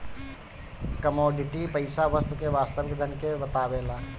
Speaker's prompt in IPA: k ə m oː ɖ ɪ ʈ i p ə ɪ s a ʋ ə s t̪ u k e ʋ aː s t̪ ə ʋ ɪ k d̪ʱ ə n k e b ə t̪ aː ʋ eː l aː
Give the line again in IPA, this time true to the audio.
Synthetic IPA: k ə m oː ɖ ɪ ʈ i p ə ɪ s a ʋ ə s t̪ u k e ʋ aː s t̪ ə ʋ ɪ k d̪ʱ ə n k e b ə t̪ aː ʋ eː l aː